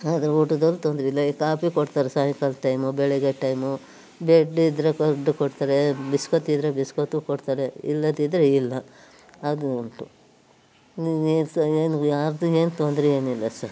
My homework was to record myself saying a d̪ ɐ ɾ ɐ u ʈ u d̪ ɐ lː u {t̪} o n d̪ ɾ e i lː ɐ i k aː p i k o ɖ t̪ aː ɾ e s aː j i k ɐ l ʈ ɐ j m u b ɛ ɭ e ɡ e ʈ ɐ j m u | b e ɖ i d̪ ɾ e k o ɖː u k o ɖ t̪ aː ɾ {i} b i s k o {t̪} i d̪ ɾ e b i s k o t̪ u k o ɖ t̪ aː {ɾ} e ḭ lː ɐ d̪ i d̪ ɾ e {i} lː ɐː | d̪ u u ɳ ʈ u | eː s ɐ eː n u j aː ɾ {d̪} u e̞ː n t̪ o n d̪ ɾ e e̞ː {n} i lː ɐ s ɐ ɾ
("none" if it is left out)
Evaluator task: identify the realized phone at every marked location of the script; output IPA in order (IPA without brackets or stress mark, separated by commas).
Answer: t̪, e, t̪, ɾ, i, d̪, n